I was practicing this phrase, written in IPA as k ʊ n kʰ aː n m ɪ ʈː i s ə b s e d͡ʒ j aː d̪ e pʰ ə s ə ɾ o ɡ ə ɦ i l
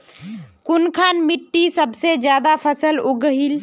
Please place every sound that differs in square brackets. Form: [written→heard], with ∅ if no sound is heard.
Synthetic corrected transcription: k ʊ n kʰ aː n m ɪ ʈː i s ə b s e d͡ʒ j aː d̪ [e→a] pʰ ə s ə [ɾ→l] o ɡ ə ɦ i l